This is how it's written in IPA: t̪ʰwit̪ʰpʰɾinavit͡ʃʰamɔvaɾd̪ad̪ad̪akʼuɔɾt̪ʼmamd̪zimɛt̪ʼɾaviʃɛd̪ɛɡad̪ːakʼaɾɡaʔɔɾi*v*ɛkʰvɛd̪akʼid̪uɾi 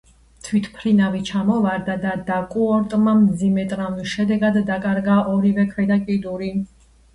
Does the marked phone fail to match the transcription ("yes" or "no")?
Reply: no